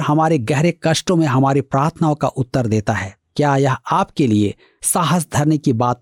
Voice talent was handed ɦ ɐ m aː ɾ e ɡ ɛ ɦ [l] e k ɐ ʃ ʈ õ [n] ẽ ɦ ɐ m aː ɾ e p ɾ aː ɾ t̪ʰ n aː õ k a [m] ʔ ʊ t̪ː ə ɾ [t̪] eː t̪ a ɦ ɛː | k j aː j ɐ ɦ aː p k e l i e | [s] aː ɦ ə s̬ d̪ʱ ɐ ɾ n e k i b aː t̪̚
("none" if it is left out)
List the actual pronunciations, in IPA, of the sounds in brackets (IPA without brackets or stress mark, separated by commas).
ɾ, m, none, d̪, s